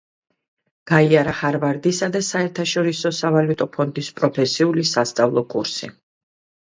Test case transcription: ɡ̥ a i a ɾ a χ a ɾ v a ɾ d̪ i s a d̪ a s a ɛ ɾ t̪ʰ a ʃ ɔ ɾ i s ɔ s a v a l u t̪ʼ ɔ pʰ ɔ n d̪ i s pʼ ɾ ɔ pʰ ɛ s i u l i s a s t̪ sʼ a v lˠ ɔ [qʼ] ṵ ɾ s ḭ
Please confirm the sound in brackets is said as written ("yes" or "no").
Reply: no